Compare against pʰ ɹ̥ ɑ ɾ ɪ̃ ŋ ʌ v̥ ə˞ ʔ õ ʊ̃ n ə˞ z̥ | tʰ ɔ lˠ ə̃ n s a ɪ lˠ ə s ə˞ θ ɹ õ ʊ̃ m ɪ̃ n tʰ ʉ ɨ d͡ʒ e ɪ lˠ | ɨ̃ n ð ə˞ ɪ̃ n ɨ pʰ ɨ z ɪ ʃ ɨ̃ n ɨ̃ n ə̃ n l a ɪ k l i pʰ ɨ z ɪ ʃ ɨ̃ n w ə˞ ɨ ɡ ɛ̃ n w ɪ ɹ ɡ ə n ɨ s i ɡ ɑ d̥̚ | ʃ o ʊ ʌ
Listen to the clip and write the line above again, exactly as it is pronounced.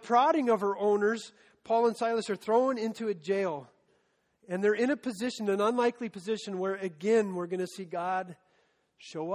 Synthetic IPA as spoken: pʰ ɹ̥ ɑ ɾ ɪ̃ ŋ ʌ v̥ ə˞ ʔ õ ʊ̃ n ə˞ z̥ | pʰ ɔ lˠ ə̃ n s a ɪ lˠ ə s ə˞ θ ɹ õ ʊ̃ n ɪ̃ n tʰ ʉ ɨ d͡ʒ e ɪ lˠ | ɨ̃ n ð ə˞ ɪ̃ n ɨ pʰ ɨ z ɪ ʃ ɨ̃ n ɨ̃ n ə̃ n l a ɪ k l i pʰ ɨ z ɪ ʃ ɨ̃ n w ə˞ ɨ ɡ ɛ̃ n w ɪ ɹ ɡ ʌ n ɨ s i ɡ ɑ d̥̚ | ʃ o ʊ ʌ